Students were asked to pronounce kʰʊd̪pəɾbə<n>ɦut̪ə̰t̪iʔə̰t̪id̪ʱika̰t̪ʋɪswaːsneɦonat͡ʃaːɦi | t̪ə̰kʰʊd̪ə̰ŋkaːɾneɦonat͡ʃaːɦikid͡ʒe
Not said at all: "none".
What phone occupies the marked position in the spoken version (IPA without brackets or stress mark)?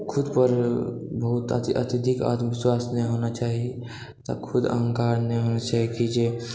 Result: none